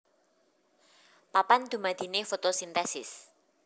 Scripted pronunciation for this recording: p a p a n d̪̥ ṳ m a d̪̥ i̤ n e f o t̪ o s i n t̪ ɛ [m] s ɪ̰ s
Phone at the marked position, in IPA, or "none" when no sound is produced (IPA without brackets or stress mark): none